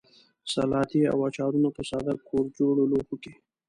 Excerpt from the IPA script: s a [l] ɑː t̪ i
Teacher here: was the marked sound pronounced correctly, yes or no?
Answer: yes